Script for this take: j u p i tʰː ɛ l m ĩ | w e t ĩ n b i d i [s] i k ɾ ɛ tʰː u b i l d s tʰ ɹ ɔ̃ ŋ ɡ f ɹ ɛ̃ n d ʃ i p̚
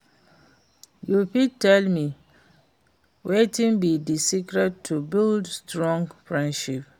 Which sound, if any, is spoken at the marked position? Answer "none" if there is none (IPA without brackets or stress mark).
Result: s